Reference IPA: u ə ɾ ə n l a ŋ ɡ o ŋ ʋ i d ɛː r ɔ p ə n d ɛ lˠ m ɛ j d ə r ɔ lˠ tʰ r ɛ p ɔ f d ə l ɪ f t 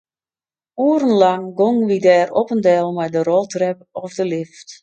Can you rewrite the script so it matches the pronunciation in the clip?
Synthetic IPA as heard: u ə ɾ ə n l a ŋ ɡ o ŋ ʋ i d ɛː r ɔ p ə n d ɛ lˠ m ɛ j d ə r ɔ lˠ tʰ r ɛ p ɔ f d ə l ɪ f t